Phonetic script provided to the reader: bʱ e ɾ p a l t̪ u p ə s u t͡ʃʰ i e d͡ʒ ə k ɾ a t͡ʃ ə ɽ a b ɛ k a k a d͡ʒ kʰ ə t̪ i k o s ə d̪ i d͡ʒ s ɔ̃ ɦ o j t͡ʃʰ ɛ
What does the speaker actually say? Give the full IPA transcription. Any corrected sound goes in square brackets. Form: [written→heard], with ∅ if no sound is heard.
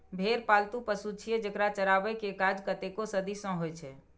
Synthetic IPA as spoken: bʱ e ɾ p a l t̪ u p ə s u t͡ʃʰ i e d͡ʒ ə k ɾ a t͡ʃ ə [ɽ→ɾ] a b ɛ k [a→e] k a d͡ʒ [kʰ→k] ə t̪ [i→e] k o s ə d̪ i [d͡ʒ→∅] s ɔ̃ ɦ o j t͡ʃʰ ɛ